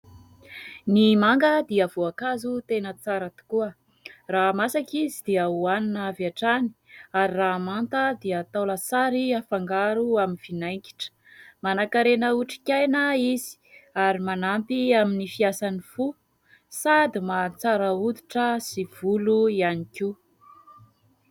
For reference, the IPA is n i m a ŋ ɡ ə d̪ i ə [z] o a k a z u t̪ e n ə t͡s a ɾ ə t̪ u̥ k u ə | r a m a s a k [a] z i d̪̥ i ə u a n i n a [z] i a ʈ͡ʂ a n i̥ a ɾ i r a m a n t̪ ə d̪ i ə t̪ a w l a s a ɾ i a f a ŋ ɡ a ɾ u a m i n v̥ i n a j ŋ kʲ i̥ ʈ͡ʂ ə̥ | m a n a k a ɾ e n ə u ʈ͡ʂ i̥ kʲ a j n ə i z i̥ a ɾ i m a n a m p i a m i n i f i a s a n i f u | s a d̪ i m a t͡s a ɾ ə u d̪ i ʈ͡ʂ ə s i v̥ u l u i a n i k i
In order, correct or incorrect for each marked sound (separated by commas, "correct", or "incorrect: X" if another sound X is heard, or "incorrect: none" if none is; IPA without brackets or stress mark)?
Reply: incorrect: v, incorrect: i, incorrect: v